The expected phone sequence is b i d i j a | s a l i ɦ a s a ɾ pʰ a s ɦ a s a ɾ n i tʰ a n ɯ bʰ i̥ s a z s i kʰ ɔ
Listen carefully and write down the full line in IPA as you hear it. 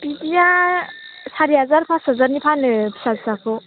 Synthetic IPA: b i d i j a | s a ɾ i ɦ a z a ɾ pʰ a s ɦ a z a ɾ n i pʰ a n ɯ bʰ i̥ s a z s a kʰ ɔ